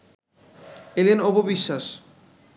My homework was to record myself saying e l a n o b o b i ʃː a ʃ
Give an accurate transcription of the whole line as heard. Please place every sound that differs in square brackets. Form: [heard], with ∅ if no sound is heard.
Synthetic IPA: e l [e] n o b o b i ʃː a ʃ